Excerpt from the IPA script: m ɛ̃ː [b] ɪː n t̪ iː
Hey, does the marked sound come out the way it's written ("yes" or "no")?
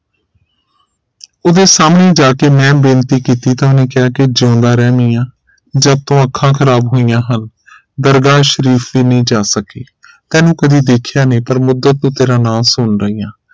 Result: yes